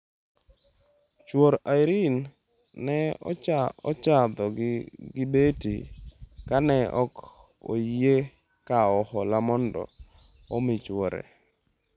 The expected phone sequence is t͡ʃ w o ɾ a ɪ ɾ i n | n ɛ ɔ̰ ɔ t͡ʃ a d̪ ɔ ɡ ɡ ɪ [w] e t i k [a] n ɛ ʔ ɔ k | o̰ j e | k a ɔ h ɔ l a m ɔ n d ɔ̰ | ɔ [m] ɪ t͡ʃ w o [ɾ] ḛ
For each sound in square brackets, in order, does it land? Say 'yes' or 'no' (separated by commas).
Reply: no, yes, yes, yes